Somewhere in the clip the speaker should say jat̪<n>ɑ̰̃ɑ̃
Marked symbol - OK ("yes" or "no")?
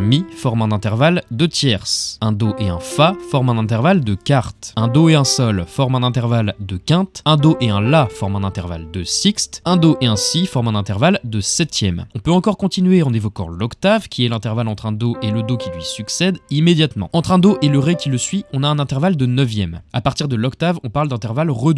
no